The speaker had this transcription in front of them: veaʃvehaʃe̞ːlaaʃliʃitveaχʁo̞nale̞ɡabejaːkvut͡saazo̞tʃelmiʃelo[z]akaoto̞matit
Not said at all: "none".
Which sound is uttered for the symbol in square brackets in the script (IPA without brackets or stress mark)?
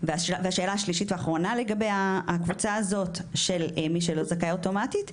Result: z